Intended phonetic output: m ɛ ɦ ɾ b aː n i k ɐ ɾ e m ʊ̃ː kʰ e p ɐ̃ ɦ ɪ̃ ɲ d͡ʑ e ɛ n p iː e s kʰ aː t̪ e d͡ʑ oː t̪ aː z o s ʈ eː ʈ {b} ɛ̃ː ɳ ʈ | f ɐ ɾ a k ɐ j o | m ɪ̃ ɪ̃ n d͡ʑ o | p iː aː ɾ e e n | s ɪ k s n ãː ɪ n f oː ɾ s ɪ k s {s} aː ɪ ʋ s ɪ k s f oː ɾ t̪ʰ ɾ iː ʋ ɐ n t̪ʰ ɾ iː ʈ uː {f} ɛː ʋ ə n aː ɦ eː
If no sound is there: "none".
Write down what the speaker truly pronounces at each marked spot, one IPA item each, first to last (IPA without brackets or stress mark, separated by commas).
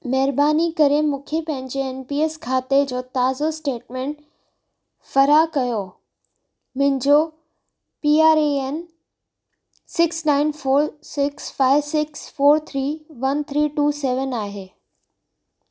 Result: m, f, s